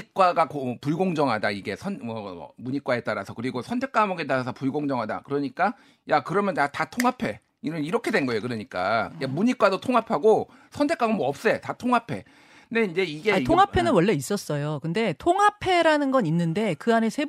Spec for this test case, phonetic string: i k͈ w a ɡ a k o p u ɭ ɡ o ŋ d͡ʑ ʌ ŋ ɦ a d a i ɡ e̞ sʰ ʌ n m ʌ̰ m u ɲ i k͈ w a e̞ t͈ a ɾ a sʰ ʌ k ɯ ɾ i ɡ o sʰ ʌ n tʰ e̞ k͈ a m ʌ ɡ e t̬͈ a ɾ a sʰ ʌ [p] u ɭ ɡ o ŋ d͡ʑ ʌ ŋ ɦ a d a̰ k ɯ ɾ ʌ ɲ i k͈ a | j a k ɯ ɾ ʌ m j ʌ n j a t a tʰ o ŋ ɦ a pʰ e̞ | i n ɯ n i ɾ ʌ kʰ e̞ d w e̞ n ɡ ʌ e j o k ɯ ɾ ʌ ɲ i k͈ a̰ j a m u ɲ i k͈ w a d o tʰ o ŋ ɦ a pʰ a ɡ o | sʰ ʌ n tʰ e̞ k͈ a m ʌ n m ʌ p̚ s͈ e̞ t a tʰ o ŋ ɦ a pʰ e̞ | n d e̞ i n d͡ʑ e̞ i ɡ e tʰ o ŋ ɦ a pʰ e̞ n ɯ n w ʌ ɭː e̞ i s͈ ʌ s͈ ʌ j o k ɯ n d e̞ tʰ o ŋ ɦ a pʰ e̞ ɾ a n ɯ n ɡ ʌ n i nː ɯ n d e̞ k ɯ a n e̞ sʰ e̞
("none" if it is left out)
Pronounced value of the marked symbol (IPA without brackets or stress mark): p